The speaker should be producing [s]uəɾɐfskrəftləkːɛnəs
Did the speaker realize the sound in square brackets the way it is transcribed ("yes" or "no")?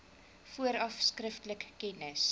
no